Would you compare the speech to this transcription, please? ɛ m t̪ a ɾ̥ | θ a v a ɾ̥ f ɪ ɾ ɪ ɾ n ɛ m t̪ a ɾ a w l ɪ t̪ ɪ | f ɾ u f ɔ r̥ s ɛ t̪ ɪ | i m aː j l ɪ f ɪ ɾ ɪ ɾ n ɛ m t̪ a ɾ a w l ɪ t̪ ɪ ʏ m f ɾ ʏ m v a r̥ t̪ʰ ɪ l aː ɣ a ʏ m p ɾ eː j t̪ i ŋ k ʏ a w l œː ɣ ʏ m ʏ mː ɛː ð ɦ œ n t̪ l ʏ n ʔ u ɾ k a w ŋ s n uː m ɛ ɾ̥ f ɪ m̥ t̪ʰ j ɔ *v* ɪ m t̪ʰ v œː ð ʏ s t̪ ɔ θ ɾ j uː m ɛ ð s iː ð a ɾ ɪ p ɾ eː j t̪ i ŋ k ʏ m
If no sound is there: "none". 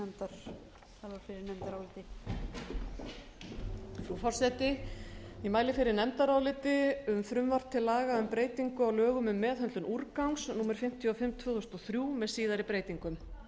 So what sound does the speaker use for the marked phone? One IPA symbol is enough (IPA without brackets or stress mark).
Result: f